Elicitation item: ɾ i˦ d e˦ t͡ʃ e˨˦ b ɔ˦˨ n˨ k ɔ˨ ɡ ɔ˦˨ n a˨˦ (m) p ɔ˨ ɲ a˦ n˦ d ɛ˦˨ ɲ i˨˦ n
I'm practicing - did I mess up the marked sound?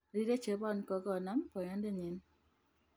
no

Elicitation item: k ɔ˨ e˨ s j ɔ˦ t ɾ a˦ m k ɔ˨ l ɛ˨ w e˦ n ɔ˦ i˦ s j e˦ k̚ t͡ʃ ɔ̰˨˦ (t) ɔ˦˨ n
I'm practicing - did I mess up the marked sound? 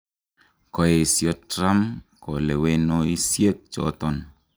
no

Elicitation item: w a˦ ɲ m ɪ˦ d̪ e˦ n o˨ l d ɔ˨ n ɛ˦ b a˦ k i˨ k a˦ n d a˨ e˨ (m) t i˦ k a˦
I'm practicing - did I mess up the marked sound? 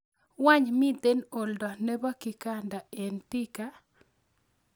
yes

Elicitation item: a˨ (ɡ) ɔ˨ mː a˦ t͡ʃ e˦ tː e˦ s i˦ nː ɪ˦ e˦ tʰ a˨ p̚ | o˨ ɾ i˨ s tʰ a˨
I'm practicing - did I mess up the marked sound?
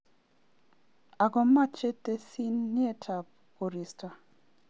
no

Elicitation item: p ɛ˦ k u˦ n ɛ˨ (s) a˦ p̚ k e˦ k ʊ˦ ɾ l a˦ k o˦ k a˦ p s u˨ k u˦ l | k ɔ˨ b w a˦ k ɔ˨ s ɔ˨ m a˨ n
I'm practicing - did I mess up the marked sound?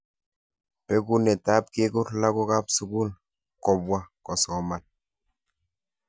yes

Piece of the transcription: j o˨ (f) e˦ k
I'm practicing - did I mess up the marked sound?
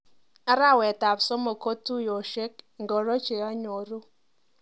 yes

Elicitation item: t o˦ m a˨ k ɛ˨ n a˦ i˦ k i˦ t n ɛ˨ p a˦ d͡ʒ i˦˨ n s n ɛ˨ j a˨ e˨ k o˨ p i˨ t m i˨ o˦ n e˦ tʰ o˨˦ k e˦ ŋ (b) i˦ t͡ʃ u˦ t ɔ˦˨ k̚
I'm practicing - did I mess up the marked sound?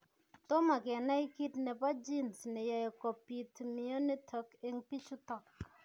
yes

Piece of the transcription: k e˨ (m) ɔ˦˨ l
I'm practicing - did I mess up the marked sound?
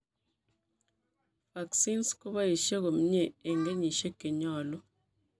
yes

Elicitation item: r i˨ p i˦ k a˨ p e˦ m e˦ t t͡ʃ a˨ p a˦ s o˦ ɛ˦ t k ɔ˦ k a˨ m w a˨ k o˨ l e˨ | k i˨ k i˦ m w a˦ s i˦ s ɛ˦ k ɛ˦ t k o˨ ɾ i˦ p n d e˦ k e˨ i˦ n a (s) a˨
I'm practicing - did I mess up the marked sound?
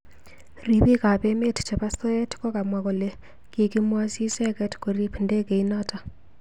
yes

